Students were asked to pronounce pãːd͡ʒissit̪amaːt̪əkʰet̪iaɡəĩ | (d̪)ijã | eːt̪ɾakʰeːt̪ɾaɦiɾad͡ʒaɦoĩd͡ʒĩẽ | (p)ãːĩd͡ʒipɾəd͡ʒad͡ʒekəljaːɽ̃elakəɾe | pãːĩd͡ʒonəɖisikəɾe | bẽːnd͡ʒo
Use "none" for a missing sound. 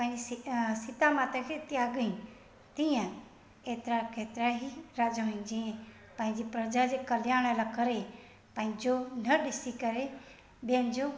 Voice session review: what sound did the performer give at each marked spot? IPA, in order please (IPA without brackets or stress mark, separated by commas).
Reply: t̪, p